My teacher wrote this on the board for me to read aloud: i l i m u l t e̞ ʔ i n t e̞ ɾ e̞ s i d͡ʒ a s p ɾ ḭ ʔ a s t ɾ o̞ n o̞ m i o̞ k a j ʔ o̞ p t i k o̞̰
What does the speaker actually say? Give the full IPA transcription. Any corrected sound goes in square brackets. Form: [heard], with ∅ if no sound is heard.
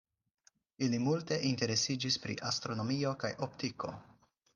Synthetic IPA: i l i m u l t e̞ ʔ i n t e̞ ɾ e̞ s i d͡ʒ [i] s p ɾ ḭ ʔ a s t ɾ o̞ n o̞ m i o̞ k a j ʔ o̞ p t i k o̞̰

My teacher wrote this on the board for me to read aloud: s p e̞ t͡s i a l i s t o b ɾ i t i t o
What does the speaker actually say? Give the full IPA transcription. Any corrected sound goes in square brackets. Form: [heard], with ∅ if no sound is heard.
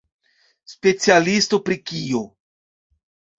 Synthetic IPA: s p e̞ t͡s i a l i s t o [p] ɾ i [k] i [∅] o

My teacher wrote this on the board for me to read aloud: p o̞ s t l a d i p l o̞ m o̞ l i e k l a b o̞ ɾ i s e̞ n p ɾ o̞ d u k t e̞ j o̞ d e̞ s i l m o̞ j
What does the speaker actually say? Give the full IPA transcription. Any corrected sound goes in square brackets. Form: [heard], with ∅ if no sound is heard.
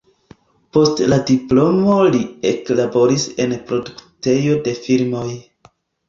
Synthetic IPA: p o̞ s t l a d i p l o̞ m o̞ l i e k l a b o̞ ɾ i s e̞ n p ɾ o̞ d u k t e̞ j o̞ d e̞ [f] i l m o̞ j

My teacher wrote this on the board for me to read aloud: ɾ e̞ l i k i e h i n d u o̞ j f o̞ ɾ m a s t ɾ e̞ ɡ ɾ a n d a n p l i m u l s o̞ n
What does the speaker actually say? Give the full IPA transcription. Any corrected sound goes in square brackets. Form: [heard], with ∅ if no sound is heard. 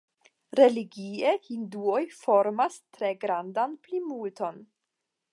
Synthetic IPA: ɾ e̞ l i [ɡ] i e h i n d u o̞ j f o̞ ɾ m a s t ɾ e̞ ɡ ɾ a n d a n p l i m u l [t] o̞ n

